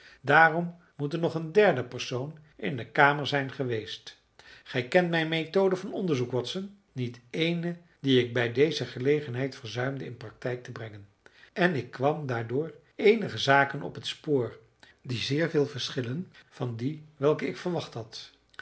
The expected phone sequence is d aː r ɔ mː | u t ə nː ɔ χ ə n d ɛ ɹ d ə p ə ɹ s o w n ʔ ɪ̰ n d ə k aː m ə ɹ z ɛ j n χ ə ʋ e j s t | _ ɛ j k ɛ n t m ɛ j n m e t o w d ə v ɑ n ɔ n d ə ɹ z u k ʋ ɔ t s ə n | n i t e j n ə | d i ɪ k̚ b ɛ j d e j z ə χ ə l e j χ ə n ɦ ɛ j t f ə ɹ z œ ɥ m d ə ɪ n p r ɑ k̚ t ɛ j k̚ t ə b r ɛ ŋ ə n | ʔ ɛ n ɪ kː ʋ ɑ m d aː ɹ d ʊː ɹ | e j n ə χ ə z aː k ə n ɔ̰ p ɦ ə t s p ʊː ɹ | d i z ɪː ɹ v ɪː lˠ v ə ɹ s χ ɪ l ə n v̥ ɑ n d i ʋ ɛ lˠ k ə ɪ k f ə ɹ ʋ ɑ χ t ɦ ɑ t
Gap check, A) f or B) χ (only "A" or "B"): B